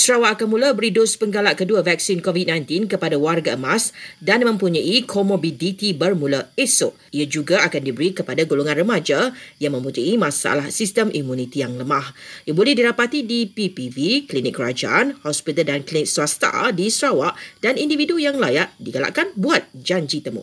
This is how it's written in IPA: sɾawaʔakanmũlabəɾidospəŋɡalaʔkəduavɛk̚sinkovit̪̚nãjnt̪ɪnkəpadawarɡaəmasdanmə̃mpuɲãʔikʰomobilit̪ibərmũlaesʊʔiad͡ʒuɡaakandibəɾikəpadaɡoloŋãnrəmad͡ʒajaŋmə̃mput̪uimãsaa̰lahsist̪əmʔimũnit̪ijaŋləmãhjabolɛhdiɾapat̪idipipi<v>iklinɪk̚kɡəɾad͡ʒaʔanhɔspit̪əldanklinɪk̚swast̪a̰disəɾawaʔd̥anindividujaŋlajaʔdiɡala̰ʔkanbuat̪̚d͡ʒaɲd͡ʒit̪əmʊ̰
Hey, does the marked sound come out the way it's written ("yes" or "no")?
yes